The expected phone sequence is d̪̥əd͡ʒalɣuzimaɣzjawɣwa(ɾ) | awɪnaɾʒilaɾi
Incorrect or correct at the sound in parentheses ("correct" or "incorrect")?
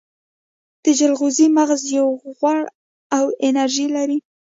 incorrect